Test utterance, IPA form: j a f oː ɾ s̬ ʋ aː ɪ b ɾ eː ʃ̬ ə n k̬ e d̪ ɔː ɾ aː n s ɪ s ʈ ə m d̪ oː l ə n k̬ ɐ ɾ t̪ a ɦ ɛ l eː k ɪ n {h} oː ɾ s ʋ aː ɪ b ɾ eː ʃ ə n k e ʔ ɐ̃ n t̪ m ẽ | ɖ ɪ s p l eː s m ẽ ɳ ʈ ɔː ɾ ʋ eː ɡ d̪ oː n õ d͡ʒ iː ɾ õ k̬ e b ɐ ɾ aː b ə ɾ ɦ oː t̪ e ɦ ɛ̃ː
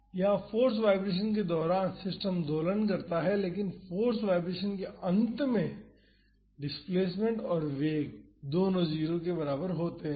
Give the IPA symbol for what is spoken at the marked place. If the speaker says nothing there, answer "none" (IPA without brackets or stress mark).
f